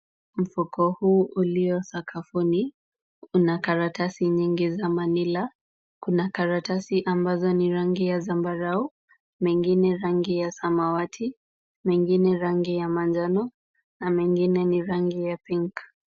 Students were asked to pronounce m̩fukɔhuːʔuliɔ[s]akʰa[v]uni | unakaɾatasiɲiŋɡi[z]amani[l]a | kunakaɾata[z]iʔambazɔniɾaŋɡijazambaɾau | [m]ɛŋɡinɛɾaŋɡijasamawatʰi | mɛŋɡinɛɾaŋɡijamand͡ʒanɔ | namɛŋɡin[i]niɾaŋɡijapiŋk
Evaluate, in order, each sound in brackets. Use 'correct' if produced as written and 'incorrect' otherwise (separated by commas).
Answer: correct, incorrect, correct, correct, incorrect, correct, incorrect